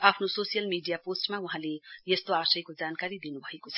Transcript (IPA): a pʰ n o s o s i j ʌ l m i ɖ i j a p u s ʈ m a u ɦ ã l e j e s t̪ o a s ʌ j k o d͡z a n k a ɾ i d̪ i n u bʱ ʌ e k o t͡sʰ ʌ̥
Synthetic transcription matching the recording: a pʰ n o s o s i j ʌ l m i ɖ i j a p o s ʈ m a u ɦ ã l e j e s t̪ o a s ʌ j k o d͡z a n k a ɾ i d̪ i n u bʱ ʌ e k o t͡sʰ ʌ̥